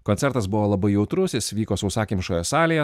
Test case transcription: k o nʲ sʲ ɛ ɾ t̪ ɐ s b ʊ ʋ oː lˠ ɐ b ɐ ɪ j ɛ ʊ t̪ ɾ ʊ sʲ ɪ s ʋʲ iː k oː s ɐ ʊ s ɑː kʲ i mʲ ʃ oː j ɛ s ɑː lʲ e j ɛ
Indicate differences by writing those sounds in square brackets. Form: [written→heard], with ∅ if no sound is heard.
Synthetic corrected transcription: k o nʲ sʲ ɛ ɾ t̪ ɐ s b ʊ ʋ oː lˠ ɐ b ɐ ɪ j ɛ ʊ t̪ ɾ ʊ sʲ ɪ s ʋʲ iː k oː s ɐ ʊ s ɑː kʲ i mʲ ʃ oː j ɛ s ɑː lʲ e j ɛ